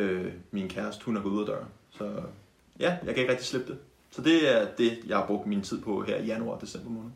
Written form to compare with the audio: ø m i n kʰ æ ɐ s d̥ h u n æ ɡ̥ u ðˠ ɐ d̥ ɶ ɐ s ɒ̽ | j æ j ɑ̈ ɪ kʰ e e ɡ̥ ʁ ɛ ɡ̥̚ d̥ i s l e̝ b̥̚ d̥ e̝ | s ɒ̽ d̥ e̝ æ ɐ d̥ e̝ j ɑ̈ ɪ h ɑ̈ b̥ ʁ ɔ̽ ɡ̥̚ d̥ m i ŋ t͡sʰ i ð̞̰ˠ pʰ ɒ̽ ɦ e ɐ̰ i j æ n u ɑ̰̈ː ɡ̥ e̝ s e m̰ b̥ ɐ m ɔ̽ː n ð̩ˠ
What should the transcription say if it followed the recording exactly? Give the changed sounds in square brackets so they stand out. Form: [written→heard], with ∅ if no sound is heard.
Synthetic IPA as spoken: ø m i n kʰ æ ɐ s d̥ h u n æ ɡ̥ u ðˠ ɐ d̥ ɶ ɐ s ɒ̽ | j æ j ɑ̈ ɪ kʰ [e→æ] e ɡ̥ ʁ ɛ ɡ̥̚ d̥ i s l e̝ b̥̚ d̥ e̝ | s ɒ̽ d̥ e̝ æ ɐ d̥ e̝ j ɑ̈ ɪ h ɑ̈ b̥ ʁ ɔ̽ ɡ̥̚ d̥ m i [ŋ→n] t͡sʰ i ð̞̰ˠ pʰ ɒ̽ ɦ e ɐ̰ i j æ n u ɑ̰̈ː [ɡ̥→d̥] e̝ s e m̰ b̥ ɐ m ɔ̽ː n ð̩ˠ